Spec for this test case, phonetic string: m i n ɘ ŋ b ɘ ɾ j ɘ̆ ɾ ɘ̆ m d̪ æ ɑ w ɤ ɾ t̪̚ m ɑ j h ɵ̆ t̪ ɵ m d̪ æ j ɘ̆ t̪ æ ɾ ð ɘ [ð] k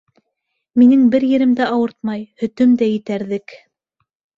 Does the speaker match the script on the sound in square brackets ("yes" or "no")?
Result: no